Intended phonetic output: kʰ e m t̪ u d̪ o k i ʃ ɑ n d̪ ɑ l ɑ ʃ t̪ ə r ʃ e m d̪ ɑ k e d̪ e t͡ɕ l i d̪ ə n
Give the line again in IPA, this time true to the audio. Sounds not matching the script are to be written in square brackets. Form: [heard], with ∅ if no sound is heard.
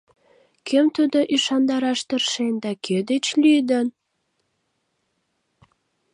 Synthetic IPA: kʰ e m t̪ u d̪ o [ʔ] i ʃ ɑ n d̪ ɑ [ɾ] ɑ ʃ t̪ ə r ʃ e [n] d̪ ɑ k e d̪ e t͡ɕ l [y] d̪ ə n